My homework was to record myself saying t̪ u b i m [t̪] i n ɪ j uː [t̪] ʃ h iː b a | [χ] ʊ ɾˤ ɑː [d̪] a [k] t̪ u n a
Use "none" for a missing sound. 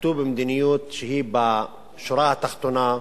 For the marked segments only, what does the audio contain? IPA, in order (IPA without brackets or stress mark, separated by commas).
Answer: d̪, t̪, ʃ, t̪, x